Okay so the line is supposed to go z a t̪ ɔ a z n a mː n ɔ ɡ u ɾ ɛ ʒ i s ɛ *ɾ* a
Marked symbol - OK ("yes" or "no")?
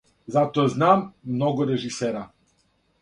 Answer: yes